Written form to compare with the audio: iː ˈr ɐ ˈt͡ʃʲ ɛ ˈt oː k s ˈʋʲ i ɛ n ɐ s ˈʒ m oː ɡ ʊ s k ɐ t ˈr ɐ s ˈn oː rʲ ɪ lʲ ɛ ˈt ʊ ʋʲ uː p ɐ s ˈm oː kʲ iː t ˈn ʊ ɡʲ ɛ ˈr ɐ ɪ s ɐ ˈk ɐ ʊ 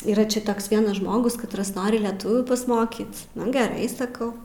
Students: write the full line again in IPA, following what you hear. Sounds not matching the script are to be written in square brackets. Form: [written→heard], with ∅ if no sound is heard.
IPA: iː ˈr ɐ ˈt͡ʃʲ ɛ ˈt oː k s ˈʋʲ i ɛ n ɐ s ˈʒ m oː ɡ ʊ s k ɐ t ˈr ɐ s ˈn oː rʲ ɪ lʲ ɛ ˈt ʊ ʋʲ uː p ɐ s ˈm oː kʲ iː t ˈn ʊ ɡʲ ɛ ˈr ɐ ɪ s ɐ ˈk ɐ ʊ